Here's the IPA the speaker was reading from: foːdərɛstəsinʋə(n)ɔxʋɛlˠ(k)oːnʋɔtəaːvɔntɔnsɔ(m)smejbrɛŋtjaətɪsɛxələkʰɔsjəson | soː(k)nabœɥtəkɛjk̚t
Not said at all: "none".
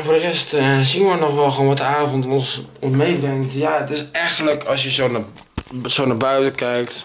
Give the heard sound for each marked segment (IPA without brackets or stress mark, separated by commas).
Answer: n, x, n, none